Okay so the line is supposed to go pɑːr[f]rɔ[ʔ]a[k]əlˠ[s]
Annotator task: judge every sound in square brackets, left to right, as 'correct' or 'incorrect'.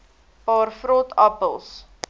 correct, incorrect, incorrect, correct

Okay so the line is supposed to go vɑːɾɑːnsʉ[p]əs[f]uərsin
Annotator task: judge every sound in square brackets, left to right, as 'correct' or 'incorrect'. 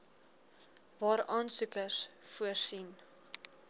incorrect, correct

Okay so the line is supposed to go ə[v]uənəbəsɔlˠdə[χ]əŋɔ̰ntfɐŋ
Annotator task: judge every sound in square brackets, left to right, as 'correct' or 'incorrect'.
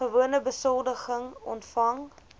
correct, correct

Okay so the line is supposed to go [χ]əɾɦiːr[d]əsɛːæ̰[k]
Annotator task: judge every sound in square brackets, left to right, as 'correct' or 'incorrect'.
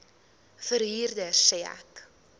incorrect, correct, correct

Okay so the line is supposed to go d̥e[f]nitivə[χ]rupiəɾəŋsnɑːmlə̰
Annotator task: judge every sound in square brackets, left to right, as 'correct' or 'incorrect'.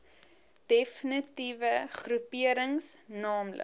correct, correct

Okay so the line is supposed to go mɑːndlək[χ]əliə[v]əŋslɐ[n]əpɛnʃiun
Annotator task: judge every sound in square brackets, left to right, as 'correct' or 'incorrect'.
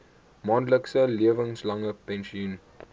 incorrect, correct, incorrect

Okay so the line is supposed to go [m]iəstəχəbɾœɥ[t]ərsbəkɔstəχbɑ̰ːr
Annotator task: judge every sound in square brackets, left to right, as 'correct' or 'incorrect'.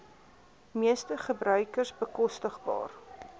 correct, incorrect

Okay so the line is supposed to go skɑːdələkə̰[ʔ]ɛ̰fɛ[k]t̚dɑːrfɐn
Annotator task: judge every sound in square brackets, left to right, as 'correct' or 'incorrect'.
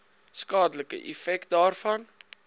correct, correct

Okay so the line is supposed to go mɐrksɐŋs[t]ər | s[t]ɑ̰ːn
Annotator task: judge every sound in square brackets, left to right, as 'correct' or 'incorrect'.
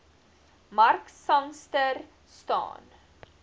correct, correct

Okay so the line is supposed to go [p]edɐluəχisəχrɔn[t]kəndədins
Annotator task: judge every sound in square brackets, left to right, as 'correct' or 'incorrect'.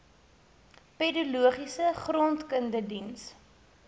correct, correct

